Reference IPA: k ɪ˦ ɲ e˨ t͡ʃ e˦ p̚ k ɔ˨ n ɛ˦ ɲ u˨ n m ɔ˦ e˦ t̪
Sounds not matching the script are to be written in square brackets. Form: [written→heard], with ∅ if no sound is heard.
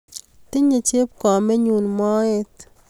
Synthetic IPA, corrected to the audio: [k→t] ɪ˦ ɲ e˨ t͡ʃ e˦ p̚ k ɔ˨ [n→m] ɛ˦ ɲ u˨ n m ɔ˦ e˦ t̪